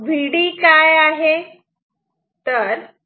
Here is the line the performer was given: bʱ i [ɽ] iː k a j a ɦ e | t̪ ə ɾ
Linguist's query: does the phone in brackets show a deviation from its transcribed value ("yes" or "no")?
no